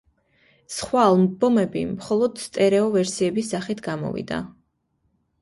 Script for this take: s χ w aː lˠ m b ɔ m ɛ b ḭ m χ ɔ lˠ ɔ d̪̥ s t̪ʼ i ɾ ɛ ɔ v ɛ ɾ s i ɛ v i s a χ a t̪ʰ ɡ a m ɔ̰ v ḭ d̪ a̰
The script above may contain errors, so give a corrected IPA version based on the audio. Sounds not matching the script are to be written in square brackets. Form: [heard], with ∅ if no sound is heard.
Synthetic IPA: s χ w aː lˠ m b ɔ m ɛ b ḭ m χ ɔ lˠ ɔ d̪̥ s t̪ʼ [ɛ] ɾ ɛ ɔ v ɛ ɾ s i ɛ [b] i s a χ [i] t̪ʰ ɡ a m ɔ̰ v ḭ d̪ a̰